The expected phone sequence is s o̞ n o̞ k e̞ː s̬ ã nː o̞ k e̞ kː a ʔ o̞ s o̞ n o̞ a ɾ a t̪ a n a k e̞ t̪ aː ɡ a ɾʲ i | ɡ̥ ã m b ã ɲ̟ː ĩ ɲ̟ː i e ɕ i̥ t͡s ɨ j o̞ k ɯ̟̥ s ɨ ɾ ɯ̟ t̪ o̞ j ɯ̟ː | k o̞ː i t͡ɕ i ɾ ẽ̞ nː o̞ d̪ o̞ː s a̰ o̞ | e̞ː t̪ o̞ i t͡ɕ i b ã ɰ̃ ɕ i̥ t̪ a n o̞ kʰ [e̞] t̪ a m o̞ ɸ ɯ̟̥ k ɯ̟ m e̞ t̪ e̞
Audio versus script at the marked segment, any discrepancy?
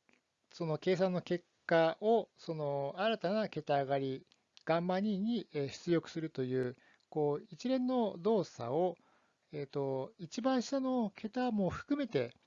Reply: no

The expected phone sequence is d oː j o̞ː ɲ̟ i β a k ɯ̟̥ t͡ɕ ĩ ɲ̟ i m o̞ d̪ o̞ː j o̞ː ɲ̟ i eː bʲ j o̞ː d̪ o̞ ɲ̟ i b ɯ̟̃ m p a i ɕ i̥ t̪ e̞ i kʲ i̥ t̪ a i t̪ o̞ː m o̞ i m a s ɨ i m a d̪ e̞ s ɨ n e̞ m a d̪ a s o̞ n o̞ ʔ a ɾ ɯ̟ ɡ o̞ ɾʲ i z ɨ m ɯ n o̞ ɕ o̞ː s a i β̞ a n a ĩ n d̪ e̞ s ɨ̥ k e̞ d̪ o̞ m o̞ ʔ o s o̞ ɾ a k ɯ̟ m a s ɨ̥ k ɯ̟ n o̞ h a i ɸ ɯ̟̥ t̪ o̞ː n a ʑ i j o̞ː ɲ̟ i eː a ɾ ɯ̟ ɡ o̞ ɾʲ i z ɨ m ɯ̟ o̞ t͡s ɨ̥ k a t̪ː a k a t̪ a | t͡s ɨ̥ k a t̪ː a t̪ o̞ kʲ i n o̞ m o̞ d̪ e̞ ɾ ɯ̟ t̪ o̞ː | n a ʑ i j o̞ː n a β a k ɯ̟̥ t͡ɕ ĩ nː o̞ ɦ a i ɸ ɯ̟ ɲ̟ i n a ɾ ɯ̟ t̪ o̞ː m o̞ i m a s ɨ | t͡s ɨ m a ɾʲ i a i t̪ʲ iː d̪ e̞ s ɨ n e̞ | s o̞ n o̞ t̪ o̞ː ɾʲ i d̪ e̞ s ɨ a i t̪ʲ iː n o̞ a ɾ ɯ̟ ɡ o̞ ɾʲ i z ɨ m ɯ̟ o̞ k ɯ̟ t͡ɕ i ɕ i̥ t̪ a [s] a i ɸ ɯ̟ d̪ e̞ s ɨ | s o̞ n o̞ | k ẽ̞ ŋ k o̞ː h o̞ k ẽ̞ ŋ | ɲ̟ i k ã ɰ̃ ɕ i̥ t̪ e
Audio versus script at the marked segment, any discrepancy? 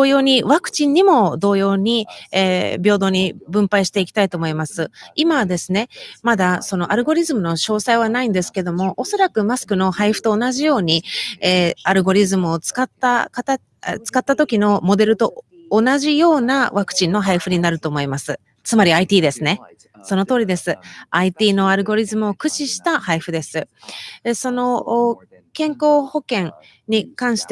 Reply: yes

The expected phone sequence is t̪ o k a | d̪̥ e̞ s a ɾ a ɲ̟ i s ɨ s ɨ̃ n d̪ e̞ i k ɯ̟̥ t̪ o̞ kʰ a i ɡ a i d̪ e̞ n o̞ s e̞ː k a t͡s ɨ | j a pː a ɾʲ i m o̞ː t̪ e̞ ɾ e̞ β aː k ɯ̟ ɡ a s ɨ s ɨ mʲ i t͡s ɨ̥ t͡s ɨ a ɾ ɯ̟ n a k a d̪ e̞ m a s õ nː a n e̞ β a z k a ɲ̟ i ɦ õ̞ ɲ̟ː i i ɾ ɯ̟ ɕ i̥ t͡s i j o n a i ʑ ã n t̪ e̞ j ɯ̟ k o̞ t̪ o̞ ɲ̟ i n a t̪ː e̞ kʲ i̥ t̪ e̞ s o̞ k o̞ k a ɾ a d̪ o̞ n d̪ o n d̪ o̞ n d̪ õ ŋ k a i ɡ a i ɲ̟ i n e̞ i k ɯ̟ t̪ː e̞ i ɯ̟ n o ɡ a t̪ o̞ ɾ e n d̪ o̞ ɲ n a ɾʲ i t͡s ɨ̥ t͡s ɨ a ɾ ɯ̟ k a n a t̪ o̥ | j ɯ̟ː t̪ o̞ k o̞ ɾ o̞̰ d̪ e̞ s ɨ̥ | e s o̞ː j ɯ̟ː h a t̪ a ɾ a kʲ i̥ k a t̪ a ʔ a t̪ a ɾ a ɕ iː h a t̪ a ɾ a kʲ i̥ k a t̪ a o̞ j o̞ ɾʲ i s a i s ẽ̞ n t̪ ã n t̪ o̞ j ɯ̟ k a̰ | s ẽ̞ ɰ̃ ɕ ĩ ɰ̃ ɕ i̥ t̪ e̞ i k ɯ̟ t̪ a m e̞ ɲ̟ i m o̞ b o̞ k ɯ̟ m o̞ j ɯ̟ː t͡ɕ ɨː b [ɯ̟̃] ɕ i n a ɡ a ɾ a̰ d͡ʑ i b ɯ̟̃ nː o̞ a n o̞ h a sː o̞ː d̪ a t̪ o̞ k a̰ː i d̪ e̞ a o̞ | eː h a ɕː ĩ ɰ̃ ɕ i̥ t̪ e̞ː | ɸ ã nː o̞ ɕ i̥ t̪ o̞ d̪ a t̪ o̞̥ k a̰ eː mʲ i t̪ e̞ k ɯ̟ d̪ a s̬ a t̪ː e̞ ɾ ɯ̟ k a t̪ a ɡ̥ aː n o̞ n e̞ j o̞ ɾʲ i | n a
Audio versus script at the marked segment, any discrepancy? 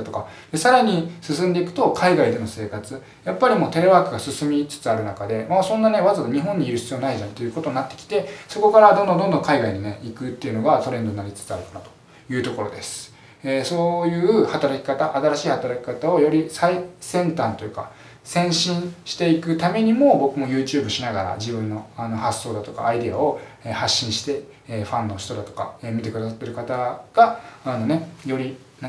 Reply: yes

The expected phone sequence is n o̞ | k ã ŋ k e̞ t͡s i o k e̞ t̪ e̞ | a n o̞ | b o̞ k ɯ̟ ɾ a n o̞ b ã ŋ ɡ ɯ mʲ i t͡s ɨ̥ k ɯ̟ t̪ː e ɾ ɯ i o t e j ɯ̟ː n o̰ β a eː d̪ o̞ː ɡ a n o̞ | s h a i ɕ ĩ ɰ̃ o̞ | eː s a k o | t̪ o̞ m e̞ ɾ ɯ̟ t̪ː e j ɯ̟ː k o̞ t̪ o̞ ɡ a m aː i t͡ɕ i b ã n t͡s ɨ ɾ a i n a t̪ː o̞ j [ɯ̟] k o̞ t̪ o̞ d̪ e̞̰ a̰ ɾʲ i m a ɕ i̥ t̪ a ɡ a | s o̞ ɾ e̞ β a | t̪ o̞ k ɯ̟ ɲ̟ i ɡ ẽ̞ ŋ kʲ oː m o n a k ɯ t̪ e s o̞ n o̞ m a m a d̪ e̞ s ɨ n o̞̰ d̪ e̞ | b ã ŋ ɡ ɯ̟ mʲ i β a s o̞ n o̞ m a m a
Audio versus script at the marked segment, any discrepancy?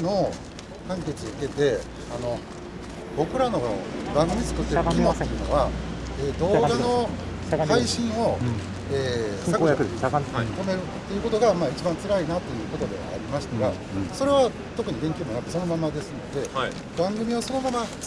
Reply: yes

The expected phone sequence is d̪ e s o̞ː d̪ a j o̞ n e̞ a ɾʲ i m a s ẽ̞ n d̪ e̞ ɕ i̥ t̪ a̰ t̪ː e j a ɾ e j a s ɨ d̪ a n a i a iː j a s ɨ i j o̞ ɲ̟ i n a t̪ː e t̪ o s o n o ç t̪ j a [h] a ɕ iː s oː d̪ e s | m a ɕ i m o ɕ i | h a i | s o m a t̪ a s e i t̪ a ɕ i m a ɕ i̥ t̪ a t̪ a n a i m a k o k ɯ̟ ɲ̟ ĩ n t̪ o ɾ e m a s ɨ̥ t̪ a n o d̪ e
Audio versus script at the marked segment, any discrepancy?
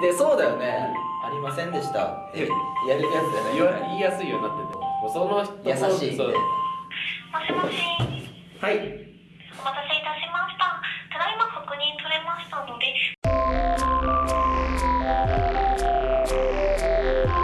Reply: yes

